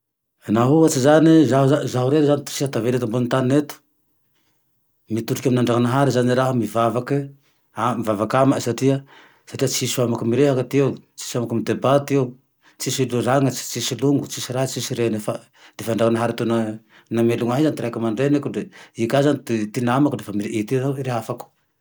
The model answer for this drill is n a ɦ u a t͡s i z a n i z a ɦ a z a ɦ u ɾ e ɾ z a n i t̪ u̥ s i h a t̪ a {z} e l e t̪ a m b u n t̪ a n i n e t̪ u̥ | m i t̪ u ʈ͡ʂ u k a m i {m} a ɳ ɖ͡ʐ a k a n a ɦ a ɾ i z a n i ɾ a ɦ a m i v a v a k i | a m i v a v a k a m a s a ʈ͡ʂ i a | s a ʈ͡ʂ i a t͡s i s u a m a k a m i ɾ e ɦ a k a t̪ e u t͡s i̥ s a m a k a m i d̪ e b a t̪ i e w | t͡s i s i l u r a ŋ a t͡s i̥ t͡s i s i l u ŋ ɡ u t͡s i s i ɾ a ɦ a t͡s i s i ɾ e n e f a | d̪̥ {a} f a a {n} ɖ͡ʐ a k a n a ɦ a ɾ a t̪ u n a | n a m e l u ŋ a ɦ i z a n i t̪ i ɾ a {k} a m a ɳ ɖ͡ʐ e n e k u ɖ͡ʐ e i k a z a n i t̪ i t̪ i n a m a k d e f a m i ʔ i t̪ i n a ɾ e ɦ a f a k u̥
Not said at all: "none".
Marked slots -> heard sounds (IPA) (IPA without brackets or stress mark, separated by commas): v, n, e, ɳ, k